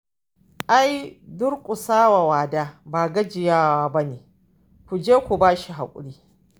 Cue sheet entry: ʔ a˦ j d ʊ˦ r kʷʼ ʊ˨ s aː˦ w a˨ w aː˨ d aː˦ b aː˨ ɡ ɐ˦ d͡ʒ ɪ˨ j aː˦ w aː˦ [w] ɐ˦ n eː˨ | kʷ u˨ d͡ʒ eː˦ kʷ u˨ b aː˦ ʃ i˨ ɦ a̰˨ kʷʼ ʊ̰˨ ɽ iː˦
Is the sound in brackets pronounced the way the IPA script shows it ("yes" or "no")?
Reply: no